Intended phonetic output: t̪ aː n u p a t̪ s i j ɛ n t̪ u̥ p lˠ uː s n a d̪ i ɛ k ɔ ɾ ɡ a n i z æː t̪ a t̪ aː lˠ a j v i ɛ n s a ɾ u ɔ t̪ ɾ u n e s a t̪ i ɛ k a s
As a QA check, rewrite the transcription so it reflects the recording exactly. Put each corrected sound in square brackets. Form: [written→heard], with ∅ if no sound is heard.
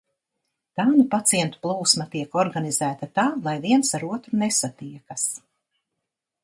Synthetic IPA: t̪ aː n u p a t̪ s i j ɛ n t̪ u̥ p lˠ uː s [n→m] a [d̪→t̪] i ɛ k ɔ ɾ ɡ a n i z æː t̪ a t̪ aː lˠ a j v i ɛ n s a ɾ u ɔ t̪ ɾ u n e s a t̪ i ɛ k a s